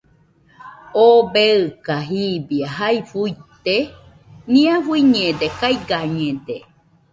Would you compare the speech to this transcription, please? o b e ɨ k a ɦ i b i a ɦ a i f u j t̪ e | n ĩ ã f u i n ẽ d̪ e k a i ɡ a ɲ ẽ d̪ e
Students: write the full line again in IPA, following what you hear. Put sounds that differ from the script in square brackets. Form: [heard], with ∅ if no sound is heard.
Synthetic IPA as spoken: o b e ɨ k a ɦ i b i a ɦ a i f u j t̪ e | n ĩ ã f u i [ɲ] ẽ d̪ e k a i ɡ a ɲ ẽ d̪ e